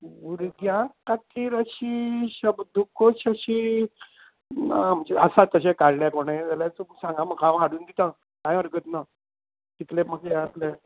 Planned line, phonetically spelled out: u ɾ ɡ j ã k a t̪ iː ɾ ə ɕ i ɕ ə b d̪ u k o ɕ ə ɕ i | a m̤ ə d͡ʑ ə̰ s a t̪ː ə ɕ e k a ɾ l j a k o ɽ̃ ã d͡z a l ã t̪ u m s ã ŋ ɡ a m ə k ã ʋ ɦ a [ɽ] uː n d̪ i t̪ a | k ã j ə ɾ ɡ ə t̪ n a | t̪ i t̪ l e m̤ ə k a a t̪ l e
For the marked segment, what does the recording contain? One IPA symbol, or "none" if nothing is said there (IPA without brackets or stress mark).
ɽ